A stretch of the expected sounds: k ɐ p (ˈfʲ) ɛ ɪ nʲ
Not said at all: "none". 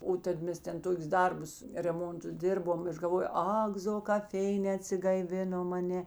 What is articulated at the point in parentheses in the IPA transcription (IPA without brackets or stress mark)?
fʲ